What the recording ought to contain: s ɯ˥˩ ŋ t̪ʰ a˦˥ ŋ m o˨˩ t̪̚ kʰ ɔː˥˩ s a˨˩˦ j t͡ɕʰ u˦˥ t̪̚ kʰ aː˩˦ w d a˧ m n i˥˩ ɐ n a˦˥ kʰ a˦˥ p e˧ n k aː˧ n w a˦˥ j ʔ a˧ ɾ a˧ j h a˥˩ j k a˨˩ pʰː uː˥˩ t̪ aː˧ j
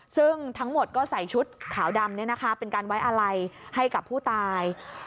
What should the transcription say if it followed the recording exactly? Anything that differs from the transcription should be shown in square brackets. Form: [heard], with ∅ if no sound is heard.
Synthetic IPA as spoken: s ɯ˥˩ ŋ t̪ʰ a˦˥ ŋ m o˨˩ t̪̚ [k] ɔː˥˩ s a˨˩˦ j t͡ɕʰ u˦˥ t̪̚ kʰ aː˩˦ w d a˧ m n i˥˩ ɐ n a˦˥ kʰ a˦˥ p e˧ n k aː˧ n w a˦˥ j ʔ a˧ ɾ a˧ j h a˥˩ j k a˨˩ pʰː uː˥˩ t̪ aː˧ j